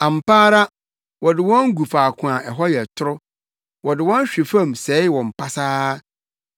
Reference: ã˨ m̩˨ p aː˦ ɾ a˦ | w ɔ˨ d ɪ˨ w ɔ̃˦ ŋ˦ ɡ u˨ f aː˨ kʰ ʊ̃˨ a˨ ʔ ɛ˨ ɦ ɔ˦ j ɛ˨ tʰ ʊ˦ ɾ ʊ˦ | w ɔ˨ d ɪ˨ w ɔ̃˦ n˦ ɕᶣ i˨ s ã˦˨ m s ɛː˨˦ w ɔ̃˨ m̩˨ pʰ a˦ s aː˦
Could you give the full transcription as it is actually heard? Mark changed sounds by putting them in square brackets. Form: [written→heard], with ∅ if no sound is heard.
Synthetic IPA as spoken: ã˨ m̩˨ p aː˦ ɾ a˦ | w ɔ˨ d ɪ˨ w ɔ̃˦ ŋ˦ ɡ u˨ f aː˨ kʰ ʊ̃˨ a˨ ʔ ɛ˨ ɦ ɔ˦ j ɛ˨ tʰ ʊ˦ ɾ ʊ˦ | w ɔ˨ d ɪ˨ w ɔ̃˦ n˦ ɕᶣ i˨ [s→f] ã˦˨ m s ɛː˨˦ w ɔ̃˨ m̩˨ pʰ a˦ s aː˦